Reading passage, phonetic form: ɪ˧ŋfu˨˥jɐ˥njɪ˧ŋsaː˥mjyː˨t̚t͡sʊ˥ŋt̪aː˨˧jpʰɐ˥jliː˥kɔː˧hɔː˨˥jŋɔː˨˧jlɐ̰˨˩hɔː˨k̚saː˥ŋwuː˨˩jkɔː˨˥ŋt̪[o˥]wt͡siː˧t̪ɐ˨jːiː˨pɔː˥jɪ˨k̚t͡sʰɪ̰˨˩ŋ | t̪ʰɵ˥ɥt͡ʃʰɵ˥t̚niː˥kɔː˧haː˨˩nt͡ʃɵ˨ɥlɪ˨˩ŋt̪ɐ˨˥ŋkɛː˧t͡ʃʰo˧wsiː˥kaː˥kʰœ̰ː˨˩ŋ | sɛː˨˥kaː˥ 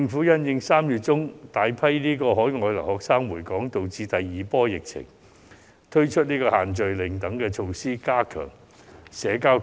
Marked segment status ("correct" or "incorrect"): incorrect